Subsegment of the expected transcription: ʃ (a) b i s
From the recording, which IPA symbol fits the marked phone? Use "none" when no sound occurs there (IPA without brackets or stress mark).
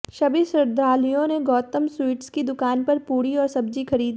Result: ɐ